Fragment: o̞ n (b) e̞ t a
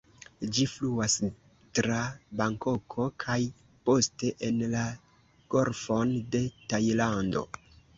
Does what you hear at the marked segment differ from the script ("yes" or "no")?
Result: yes